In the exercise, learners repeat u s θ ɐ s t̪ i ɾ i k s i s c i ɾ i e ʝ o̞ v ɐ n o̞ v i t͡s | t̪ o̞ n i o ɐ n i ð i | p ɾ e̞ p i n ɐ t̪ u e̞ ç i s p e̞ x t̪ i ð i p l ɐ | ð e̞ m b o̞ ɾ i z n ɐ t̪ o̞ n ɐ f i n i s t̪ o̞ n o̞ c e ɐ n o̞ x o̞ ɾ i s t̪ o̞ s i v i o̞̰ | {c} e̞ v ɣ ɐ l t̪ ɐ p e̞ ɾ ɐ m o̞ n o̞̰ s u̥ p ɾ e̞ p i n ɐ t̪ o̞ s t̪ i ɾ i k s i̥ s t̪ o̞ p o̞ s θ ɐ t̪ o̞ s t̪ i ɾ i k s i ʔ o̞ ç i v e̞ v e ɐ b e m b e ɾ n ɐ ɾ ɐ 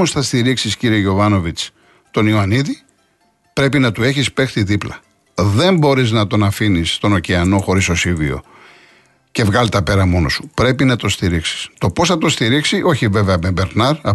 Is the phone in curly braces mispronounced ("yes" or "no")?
no